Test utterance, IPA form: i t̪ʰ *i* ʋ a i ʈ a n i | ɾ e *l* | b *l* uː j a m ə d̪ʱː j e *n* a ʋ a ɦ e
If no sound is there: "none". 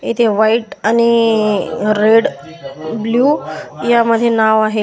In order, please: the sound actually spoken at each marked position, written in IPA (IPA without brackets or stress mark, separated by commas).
e, ɽ, l, n